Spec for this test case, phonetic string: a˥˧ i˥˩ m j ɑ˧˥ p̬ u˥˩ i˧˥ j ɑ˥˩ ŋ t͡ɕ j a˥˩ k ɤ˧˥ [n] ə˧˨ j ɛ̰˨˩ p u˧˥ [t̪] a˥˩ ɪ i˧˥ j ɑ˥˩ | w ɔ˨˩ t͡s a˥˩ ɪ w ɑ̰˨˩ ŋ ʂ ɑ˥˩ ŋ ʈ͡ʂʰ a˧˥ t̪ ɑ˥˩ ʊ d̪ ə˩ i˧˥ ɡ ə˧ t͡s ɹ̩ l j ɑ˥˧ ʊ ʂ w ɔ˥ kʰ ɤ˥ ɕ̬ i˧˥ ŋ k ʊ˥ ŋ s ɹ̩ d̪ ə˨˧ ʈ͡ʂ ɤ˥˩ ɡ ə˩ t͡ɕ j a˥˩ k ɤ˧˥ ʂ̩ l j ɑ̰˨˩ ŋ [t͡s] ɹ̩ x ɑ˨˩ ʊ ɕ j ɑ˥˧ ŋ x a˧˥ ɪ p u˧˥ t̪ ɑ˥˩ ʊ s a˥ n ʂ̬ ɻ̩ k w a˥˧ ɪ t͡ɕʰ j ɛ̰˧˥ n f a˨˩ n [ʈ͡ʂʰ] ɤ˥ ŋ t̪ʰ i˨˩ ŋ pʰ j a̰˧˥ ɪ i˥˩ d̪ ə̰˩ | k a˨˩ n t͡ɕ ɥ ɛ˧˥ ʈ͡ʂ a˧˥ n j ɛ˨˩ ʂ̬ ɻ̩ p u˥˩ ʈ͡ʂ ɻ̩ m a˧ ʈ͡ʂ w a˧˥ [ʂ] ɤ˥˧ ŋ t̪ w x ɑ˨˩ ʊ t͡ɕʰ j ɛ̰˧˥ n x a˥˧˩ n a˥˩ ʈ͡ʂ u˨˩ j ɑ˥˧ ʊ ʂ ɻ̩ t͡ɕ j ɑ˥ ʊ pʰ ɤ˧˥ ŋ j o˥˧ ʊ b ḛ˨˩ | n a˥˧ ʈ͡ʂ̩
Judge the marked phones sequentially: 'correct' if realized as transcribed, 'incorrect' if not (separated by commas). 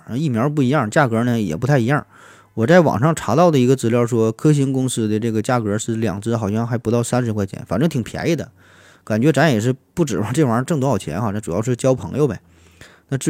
correct, incorrect, correct, incorrect, incorrect